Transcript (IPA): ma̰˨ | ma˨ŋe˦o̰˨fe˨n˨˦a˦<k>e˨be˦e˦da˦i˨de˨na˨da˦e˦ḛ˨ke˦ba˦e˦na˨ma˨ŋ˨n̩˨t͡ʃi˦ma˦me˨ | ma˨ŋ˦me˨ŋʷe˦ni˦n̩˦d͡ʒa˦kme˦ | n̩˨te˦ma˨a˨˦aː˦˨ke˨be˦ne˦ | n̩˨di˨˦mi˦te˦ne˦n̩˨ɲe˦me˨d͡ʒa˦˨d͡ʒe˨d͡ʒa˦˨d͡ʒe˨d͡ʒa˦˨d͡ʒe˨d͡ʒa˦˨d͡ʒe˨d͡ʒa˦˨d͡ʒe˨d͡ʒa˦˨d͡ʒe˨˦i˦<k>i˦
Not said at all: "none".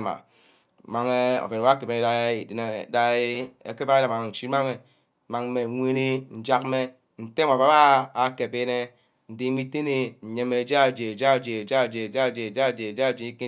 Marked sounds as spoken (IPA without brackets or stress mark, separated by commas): k, k